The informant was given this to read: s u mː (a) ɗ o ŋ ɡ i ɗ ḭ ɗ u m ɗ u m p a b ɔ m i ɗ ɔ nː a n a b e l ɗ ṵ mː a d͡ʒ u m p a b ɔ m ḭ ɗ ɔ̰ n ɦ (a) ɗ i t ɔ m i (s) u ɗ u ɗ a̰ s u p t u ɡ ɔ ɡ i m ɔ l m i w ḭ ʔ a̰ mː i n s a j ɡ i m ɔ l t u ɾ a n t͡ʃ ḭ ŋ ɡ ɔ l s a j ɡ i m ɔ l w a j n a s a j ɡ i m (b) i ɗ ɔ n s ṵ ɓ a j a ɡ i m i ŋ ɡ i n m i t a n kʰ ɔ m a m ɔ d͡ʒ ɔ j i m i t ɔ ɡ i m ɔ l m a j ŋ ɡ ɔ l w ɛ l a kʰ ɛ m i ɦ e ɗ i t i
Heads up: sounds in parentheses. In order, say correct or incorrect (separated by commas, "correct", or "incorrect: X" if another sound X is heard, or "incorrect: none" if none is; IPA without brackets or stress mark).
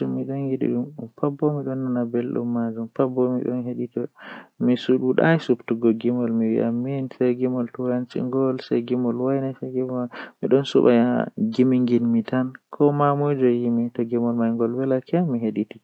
incorrect: i, incorrect: e, correct, incorrect: m